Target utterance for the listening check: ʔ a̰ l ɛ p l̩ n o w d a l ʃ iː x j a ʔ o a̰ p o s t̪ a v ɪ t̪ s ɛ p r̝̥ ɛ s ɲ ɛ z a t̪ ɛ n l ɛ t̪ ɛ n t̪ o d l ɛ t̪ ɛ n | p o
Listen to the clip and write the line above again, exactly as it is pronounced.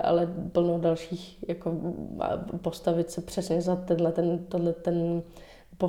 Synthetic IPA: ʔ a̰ l ɛ p l̩ n o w d a l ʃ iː x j a k o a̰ p o s t̪ a v ɪ t̪ s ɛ p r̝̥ ɛ s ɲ ɛ z a t̪ ɛ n l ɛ t̪ ɛ n t̪ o d l ɛ t̪ ɛ n | p o